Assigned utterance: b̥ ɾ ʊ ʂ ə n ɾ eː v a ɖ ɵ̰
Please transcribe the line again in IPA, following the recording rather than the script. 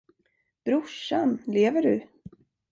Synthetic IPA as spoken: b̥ ɾ ʊ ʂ a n l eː v ə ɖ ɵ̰